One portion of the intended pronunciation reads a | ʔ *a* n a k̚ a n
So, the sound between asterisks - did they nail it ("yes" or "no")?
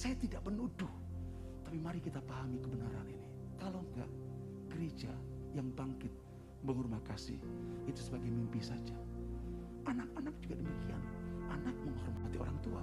yes